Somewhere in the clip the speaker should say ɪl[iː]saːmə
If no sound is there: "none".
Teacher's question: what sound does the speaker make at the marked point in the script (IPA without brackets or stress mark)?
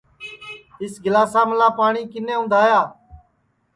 aː